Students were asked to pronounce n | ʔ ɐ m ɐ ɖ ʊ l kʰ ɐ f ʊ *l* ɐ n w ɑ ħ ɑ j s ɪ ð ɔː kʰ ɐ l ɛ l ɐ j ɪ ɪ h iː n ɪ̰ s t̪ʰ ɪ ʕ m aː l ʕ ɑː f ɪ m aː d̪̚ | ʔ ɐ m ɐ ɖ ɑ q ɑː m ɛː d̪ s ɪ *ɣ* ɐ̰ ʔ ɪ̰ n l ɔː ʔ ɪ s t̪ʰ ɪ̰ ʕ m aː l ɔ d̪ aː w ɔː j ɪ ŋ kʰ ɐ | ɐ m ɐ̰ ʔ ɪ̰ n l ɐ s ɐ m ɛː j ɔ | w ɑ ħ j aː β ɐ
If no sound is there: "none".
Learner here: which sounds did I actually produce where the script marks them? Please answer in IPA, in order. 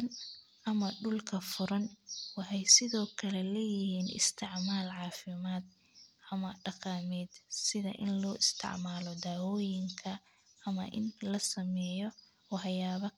ɾ, ð

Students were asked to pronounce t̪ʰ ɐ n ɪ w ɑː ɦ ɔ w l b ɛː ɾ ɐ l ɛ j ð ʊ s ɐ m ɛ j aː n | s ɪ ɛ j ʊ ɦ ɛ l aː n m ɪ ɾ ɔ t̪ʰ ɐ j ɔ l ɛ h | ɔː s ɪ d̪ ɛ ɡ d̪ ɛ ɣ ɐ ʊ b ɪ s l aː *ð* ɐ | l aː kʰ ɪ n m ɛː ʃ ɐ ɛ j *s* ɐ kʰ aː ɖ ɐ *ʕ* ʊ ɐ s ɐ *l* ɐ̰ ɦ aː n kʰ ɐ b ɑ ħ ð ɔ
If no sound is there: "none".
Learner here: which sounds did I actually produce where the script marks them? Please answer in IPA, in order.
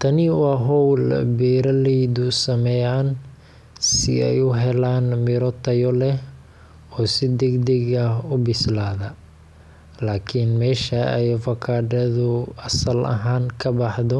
ð, f, ð, l

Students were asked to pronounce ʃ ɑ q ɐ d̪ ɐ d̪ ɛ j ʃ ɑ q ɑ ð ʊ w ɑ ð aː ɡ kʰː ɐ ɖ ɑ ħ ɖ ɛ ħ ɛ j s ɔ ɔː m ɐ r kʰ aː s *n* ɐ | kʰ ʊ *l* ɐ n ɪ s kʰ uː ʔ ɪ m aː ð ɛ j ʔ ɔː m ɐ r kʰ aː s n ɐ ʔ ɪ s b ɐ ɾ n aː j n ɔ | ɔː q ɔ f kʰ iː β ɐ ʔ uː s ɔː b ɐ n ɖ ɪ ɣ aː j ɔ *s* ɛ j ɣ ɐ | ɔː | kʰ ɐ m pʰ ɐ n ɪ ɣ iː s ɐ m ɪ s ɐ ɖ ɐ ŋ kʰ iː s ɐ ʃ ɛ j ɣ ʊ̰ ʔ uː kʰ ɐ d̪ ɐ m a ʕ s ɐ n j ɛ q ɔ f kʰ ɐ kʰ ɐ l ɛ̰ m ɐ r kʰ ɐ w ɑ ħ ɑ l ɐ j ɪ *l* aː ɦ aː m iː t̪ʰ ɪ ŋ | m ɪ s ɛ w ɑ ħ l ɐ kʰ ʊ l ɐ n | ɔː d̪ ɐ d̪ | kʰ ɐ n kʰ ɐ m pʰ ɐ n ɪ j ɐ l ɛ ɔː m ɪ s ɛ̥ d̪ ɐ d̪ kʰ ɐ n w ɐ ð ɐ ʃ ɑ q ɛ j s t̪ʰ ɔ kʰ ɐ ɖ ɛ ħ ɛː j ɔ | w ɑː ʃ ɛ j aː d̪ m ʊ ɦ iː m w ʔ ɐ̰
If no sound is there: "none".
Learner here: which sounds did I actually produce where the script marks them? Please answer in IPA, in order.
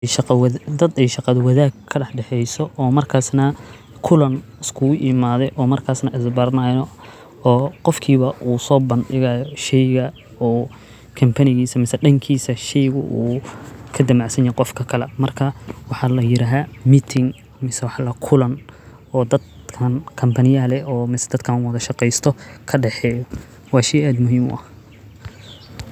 n, l, ʃ, ɾ

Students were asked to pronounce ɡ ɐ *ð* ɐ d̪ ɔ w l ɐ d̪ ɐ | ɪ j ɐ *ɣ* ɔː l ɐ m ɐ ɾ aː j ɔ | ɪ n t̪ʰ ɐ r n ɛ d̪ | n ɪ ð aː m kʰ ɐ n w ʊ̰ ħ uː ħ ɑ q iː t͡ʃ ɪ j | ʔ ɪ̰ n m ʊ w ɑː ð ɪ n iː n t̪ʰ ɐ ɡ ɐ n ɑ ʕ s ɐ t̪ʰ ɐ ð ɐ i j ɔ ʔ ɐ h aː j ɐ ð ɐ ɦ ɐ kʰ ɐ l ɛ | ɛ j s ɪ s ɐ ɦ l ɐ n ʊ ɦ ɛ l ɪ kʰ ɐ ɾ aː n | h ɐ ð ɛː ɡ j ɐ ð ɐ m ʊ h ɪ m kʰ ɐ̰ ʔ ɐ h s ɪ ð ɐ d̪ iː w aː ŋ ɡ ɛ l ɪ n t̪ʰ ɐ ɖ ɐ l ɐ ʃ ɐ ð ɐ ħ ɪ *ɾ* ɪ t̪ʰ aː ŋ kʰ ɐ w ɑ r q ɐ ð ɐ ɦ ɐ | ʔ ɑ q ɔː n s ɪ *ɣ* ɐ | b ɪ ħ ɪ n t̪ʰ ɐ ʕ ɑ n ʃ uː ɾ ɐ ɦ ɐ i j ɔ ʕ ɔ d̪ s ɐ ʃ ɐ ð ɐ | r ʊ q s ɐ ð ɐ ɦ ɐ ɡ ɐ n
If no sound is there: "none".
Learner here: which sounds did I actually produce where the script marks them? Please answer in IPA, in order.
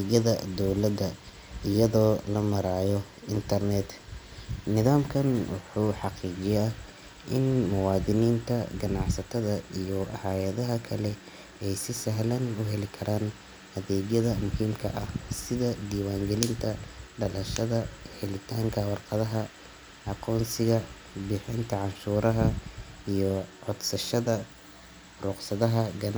ð, ð, l, ɣ

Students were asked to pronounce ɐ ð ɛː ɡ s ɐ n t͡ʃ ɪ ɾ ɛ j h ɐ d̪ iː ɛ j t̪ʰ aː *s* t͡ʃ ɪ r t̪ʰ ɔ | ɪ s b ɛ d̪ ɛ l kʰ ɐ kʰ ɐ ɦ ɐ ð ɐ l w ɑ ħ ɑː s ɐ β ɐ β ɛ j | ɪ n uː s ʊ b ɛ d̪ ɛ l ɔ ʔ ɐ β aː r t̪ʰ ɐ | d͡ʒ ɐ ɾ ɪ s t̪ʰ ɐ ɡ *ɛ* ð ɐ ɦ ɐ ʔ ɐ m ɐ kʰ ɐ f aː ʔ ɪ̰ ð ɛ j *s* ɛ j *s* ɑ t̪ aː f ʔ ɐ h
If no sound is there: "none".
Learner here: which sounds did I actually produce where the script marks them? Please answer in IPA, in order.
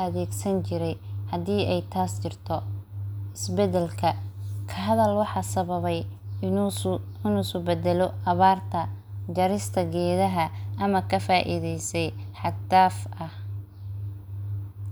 s, ɛː, s, ħ

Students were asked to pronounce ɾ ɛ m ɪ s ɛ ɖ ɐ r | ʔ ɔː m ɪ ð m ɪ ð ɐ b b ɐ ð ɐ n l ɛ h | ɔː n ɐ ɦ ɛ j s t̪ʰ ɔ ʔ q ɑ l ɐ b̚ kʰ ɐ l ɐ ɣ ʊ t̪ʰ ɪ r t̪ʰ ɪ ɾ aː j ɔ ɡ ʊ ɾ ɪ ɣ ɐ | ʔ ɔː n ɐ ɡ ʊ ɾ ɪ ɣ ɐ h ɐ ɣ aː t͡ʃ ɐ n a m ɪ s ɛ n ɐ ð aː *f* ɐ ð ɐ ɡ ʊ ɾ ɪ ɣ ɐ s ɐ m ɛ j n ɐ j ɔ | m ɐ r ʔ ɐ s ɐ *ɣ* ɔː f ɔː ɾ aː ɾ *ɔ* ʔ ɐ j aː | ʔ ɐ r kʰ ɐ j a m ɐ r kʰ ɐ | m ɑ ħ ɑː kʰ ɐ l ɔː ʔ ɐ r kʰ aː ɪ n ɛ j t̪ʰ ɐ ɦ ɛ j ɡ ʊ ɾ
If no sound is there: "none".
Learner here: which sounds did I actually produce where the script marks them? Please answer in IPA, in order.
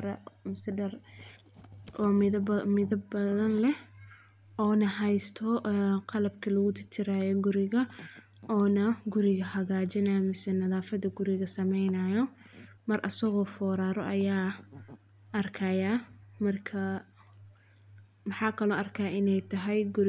f, ɣ, ɔ

